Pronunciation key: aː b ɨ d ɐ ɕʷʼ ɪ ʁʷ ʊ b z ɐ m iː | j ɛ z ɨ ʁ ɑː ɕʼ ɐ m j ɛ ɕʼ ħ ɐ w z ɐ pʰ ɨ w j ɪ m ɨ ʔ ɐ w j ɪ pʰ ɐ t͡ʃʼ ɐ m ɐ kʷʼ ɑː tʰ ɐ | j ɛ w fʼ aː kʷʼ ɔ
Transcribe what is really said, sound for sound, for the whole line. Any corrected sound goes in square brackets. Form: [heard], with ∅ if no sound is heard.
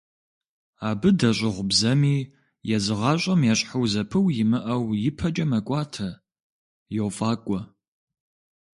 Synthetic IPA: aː b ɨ d ɐ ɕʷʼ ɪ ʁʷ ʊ b z ɐ m iː | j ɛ z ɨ ʁ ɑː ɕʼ ɐ m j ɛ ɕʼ ħ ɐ w z ɐ pʰ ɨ w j ɪ m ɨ ʔ ɐ w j ɪ pʰ ɐ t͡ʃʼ ɐ m ɐ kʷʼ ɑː tʰ ɐ | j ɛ w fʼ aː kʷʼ ɔ